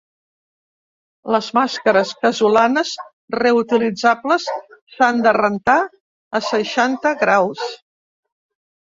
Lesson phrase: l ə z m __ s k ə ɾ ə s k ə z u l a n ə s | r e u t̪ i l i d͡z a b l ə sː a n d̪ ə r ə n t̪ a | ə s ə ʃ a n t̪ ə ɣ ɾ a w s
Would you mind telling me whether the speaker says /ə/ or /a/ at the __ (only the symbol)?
a